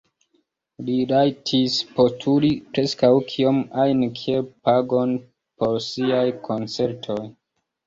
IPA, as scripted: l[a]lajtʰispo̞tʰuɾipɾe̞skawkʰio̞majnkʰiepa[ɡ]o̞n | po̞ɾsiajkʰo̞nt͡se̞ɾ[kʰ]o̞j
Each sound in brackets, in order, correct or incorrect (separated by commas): incorrect, correct, incorrect